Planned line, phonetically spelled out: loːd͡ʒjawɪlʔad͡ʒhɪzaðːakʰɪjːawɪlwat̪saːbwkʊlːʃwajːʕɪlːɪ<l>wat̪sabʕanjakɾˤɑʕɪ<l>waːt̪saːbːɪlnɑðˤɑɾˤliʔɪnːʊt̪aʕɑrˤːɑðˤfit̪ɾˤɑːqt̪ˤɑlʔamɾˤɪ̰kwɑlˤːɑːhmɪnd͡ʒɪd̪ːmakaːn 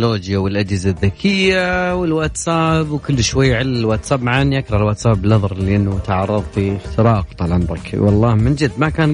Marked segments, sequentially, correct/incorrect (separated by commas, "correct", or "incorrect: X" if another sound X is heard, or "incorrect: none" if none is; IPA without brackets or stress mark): correct, correct